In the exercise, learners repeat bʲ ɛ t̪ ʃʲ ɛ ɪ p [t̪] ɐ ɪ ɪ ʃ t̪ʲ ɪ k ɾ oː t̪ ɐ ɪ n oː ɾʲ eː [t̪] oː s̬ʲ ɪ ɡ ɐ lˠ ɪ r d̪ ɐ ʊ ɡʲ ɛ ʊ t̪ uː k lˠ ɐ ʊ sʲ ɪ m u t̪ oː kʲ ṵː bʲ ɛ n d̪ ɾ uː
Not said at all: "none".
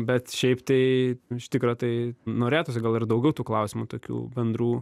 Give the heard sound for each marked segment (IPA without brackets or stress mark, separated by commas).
t̪, t̪